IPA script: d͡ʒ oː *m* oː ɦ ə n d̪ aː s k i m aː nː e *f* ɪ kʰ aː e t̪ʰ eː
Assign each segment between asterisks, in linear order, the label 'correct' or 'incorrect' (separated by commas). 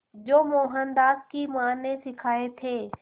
correct, incorrect